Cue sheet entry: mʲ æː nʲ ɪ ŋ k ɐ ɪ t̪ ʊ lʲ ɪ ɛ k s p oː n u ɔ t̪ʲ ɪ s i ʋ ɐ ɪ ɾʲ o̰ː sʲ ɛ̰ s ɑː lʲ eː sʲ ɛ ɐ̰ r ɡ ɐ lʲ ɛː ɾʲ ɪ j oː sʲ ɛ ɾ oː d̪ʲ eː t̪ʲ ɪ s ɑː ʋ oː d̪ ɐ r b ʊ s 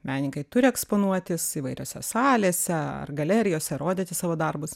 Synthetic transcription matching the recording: mʲ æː nʲ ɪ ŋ k ɐ ɪ t̪ ʊ ɾʲ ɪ ɛ k s p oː n u ɔ t̪ʲ ɪ s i ʋ ɐ ɪ ɾʲ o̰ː sʲ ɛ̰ s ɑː lʲ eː sʲ ɛ ɐ̰ r ɡ ɐ lʲ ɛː ɾʲ ɪ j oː sʲ ɛ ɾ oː d̪ʲ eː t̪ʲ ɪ s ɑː ʋ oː d̪ ɐ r b ʊ s